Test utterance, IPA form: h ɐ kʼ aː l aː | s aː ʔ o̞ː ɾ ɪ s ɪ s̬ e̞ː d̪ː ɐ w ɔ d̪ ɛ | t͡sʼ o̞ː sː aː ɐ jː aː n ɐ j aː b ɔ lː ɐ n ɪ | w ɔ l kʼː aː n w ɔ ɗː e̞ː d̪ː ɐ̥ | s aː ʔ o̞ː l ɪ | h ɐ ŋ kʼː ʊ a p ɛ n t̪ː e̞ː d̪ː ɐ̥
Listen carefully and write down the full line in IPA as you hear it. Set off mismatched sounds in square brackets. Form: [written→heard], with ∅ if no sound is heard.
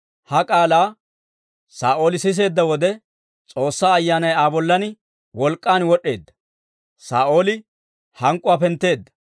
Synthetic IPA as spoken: h ɐ kʼ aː l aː | s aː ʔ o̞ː [ɾ→l] ɪ s ɪ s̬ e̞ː d̪ː ɐ w ɔ d̪ ɛ | t͡sʼ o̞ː sː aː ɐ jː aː n ɐ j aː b ɔ lː ɐ n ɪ | w ɔ l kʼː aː n w ɔ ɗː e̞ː d̪ː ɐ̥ | s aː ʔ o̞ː l ɪ | h ɐ ŋ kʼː ʊ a p ɛ n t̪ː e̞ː d̪ː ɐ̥